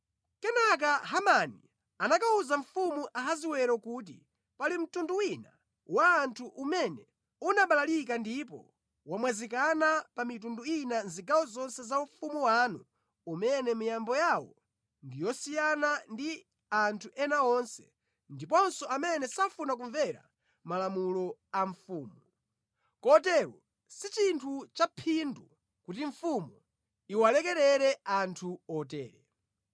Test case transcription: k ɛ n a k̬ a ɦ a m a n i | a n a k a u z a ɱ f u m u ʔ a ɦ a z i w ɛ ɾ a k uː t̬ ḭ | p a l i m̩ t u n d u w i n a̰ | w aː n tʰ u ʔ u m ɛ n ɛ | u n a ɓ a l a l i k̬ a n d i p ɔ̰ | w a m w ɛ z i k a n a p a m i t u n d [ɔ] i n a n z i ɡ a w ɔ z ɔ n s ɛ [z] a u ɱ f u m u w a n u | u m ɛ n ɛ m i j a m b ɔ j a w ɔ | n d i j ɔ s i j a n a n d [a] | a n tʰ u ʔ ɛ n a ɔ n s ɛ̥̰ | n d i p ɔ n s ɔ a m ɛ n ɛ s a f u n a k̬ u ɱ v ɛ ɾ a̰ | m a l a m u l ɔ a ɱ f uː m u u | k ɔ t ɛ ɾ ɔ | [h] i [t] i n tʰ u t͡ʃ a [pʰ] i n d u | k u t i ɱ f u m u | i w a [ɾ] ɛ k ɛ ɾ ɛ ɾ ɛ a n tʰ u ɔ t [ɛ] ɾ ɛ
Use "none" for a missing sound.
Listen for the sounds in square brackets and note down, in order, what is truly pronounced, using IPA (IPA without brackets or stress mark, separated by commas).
u, z, i, s, t͡ʃ, pʰ, l, ɛː